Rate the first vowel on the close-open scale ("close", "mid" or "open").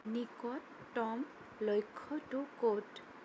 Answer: close